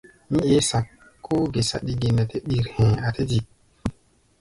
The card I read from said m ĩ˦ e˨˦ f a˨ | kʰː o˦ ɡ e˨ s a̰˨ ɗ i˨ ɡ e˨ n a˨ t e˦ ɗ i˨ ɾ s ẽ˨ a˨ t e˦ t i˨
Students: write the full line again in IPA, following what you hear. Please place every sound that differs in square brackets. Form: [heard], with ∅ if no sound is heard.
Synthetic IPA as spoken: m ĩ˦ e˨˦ [s] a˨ | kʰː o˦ ɡ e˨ s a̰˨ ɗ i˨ ɡ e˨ n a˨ t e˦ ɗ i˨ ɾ [h] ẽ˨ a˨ t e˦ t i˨